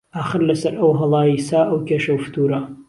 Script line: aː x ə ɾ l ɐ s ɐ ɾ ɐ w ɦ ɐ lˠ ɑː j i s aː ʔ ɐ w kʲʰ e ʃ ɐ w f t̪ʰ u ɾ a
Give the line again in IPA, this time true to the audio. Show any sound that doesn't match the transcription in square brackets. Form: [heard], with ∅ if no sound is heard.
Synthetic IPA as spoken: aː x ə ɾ l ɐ s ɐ ɾ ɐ w ɦ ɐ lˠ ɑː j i s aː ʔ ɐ w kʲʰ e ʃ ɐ w f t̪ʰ u ɾ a